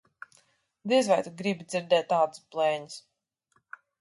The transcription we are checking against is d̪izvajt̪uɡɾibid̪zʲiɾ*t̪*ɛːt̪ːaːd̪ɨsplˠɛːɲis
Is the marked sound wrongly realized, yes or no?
yes